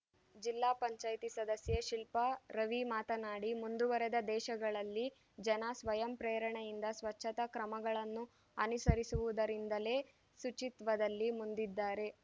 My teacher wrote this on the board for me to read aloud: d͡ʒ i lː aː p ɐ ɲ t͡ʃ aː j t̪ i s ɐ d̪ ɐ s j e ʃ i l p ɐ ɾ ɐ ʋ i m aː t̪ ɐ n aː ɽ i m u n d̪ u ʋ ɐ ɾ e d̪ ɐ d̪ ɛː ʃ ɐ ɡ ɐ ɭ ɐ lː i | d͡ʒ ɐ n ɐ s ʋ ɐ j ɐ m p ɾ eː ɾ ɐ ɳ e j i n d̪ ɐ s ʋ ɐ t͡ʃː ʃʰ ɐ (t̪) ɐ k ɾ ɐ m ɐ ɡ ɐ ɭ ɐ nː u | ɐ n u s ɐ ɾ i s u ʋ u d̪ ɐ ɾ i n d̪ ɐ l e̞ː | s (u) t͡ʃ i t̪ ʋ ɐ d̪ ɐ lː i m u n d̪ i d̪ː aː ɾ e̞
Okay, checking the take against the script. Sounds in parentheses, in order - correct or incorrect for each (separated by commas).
correct, correct